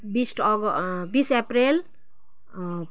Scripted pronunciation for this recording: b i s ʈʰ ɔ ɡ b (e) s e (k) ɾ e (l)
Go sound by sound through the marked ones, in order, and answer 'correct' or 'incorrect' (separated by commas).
incorrect, incorrect, correct